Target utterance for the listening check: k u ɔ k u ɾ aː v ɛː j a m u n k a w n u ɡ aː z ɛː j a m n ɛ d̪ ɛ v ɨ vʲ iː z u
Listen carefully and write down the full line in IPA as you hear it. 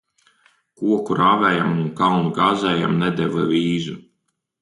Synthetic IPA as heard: k u ɔ k u ɾ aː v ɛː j a m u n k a w n u ɡ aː z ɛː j a m n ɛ d̪ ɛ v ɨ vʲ iː z u